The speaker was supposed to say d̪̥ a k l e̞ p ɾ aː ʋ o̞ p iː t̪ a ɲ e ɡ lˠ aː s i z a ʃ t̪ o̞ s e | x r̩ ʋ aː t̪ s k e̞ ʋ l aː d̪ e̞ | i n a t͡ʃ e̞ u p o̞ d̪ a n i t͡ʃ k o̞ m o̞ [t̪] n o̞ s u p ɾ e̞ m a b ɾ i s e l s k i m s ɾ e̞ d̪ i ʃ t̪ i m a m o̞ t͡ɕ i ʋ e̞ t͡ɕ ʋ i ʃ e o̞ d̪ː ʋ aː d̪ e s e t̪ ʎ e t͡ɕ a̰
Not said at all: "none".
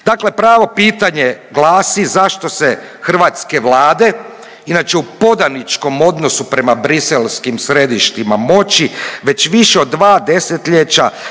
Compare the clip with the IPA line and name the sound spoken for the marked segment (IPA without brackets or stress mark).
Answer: d̪